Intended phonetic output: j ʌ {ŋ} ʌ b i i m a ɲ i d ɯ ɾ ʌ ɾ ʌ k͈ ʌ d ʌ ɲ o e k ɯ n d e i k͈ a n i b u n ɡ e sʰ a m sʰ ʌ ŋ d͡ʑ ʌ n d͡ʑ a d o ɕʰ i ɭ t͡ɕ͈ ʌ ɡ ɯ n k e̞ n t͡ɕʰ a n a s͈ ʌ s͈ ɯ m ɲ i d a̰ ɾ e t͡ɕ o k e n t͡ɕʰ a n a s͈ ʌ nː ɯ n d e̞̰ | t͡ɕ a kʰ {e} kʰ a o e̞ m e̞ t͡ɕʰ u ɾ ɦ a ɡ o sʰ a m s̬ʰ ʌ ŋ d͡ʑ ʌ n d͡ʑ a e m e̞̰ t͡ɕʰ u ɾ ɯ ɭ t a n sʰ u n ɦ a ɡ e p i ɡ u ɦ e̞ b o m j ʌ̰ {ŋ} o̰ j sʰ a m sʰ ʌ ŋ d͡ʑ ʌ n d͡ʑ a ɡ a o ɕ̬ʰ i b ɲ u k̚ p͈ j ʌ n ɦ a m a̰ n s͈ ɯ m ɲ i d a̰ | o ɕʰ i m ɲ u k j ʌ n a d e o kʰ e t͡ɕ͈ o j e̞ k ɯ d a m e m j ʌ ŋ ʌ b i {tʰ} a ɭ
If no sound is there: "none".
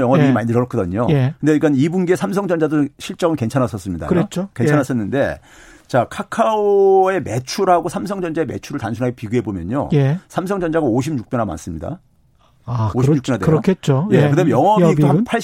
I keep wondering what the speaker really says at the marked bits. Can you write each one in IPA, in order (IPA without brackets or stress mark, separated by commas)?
ŋ, a, ɲ, pʰ